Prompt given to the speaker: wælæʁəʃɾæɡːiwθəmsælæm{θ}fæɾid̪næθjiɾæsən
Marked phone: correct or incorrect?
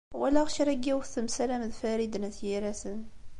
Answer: incorrect